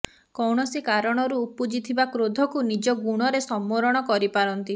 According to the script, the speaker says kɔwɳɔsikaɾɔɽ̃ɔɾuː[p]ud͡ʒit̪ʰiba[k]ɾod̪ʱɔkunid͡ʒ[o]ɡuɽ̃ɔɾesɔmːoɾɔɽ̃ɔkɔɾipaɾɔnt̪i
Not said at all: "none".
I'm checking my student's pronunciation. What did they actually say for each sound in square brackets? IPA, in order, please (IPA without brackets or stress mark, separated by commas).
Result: p, k, ɔ